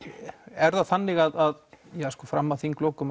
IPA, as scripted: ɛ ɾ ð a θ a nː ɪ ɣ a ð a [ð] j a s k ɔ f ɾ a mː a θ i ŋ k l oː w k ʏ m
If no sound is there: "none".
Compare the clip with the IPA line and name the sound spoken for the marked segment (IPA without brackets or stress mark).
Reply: ð